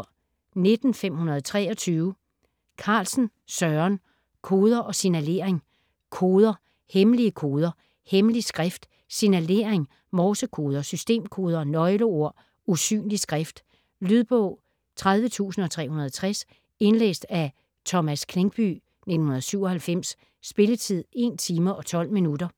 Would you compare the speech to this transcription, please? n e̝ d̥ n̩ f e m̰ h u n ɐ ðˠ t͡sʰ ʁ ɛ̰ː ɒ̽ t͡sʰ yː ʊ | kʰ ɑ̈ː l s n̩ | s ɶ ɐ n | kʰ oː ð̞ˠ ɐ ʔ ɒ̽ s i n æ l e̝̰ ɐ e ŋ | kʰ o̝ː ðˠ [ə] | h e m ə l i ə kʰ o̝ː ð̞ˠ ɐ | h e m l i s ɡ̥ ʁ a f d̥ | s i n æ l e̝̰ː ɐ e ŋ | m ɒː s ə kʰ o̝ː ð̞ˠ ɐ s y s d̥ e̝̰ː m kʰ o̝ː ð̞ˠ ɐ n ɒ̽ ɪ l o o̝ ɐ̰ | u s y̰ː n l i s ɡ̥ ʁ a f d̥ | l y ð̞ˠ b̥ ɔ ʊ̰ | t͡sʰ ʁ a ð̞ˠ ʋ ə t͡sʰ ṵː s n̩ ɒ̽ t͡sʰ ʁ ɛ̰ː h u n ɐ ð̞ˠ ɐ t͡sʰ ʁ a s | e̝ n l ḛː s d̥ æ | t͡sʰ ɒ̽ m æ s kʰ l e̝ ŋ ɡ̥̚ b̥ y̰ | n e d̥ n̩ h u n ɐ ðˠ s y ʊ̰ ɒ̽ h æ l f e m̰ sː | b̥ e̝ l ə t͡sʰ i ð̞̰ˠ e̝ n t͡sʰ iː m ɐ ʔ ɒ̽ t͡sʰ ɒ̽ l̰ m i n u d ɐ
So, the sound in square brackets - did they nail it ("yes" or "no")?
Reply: no